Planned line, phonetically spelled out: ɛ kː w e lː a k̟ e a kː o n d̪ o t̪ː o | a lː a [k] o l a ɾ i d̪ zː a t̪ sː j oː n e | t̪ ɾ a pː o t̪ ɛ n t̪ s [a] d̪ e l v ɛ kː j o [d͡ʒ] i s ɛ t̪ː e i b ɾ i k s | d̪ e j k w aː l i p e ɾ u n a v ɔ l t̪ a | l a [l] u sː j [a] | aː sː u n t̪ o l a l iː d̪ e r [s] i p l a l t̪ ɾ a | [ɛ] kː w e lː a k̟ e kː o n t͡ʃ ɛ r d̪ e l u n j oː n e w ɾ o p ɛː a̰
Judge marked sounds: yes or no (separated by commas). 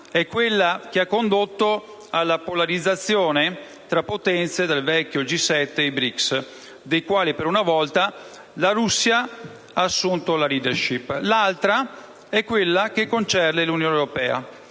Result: no, no, yes, no, yes, no, yes